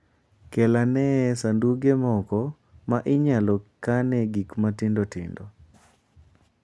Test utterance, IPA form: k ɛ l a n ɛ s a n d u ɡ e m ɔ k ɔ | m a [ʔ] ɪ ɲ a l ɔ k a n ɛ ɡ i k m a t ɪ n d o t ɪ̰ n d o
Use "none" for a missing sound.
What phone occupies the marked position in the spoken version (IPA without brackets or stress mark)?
ʔ